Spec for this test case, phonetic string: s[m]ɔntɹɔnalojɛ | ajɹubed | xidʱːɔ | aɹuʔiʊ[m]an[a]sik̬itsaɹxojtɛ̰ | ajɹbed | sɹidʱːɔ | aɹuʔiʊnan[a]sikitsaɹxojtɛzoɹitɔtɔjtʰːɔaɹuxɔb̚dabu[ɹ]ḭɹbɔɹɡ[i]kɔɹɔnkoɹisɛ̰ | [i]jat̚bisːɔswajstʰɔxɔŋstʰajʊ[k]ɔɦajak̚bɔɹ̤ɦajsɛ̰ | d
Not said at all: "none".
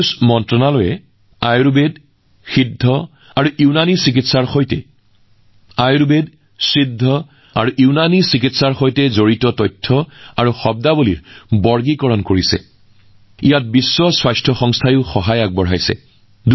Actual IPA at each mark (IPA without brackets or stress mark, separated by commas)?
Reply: m, n, i, i, l, i, i, x